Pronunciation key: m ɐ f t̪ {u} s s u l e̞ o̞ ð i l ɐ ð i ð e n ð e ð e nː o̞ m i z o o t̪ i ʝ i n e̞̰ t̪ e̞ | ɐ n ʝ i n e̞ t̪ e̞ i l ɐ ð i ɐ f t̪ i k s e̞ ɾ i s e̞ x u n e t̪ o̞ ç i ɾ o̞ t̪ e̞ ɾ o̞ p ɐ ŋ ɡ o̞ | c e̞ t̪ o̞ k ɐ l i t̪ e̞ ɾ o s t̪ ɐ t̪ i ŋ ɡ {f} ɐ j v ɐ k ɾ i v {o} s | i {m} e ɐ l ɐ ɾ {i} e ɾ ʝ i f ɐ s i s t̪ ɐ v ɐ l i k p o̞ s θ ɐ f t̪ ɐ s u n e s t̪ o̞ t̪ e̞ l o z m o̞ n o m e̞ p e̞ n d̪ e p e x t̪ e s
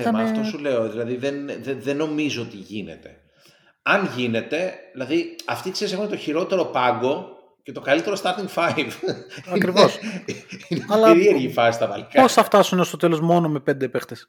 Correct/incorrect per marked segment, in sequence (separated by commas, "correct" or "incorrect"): incorrect, correct, correct, incorrect, correct